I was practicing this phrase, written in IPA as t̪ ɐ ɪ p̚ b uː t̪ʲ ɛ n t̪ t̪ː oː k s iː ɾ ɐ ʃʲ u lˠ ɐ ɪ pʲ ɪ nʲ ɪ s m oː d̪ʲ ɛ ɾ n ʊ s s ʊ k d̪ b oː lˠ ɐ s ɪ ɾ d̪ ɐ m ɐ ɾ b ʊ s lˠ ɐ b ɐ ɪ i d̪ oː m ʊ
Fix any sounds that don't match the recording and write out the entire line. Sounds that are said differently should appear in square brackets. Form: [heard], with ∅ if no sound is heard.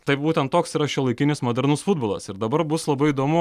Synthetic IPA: t̪ ɐ ɪ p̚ b uː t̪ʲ ɛ n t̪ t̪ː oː k s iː ɾ ɐ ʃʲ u lˠ ɐ ɪ [kʲ] ɪ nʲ ɪ s m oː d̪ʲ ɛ ɾ n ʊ s [f] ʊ [∅] d̪ b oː lˠ ɐ s ɪ ɾ d̪ ɐ [b] ɐ ɾ b ʊ s lˠ ɐ b ɐ ɪ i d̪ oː m ʊ